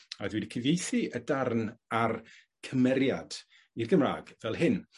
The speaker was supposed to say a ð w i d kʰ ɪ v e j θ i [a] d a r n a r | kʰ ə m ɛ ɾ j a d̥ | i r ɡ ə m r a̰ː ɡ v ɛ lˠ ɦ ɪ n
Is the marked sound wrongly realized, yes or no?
yes